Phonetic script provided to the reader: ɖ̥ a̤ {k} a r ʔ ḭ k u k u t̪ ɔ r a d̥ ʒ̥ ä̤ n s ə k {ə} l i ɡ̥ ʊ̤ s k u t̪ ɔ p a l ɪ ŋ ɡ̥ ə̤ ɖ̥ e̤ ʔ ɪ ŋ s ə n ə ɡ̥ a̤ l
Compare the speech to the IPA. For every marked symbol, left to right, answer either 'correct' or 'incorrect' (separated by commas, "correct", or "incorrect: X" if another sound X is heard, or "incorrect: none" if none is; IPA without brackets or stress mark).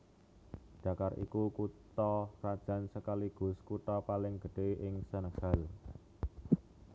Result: correct, incorrect: a